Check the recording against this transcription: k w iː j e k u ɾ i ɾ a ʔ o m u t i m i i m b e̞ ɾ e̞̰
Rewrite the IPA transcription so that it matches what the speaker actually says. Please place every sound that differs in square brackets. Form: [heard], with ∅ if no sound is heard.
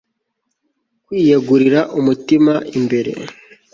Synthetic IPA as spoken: k w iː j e [ɡ] u ɾ i ɾ a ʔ [u] m u t i m [a] i m b e̞ ɾ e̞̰

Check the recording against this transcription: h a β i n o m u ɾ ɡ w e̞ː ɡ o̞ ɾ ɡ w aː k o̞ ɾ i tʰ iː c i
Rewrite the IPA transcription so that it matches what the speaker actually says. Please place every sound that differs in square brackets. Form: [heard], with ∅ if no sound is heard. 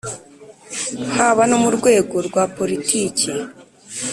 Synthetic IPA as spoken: h a β [a] n o m u ɾ ɡ w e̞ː ɡ o̞ ɾ ɡ w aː [p] o̞ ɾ i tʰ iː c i

